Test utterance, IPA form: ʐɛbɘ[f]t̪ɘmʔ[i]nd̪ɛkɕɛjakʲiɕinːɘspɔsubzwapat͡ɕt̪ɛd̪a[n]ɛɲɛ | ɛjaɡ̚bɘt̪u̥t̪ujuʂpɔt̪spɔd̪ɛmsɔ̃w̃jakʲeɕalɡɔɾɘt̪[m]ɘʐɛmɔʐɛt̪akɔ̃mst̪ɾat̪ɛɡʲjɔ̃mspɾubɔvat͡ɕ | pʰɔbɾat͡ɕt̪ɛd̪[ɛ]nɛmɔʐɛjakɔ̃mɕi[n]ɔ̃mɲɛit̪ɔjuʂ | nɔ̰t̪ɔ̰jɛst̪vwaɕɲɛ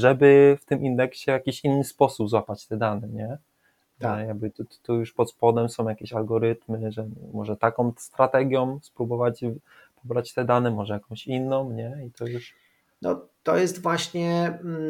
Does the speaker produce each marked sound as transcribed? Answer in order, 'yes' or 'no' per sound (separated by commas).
yes, yes, yes, yes, no, no